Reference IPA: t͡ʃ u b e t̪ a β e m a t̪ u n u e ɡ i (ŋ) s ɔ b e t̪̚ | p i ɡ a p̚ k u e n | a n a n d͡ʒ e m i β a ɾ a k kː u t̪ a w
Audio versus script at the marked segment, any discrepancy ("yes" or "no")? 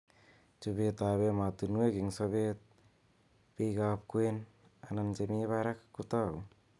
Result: no